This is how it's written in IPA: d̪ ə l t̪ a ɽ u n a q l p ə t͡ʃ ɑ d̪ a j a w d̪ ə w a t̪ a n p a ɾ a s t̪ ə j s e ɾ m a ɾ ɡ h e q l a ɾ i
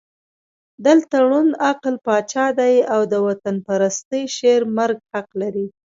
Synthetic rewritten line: d̪ ə l t̪ a ɽ u n a q l p ɑ t͡ʃ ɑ d̪ a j a w d̪ ə w a t̪ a n p a ɾ a s t̪ ə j ʃ e ɾ m a ɾ ɡ h a q l a ɾ i